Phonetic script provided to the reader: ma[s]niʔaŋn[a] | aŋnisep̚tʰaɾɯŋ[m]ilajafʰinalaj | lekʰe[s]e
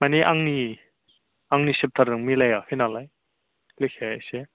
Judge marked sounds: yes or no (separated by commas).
no, no, yes, yes